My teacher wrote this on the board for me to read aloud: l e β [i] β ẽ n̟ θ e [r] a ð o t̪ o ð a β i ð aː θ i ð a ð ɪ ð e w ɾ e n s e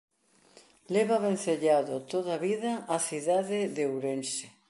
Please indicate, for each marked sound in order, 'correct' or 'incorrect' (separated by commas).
incorrect, incorrect